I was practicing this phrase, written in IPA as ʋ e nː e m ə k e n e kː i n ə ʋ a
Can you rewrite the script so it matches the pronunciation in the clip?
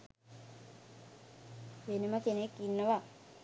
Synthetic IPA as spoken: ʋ e n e m ə k e n e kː i nː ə ʋ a